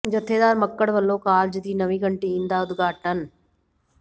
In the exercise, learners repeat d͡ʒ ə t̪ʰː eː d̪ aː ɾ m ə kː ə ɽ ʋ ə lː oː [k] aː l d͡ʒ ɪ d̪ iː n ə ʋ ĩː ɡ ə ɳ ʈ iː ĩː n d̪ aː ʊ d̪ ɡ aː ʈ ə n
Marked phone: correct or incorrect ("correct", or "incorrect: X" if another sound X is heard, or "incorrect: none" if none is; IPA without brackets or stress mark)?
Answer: correct